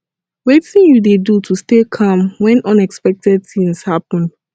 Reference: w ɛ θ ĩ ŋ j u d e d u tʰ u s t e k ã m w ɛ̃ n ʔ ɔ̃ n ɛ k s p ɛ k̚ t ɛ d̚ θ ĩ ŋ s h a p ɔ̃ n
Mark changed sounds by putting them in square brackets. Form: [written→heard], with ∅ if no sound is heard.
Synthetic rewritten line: w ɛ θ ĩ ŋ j u d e d u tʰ u s t e [k→kʰ] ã m w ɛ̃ n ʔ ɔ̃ n ɛ k s p ɛ k̚ t ɛ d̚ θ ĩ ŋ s h a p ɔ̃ n